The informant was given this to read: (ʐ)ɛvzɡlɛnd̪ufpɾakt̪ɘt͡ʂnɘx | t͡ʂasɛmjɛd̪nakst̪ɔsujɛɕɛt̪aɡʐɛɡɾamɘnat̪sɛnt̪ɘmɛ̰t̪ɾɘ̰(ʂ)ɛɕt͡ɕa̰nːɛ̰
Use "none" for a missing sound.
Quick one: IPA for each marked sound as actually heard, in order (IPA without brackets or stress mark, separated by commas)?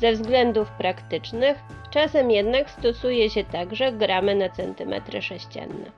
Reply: z, ʂ